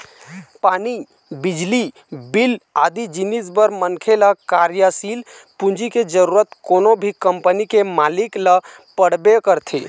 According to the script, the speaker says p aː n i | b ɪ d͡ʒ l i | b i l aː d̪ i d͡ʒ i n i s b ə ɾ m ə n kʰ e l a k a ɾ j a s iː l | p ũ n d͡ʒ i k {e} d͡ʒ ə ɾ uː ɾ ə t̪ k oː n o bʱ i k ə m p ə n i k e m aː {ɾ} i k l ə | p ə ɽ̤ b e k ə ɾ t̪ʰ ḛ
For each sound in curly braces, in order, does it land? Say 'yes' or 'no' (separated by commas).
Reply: yes, no